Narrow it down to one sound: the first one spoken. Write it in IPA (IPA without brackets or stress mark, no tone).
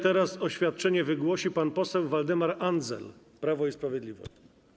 t̪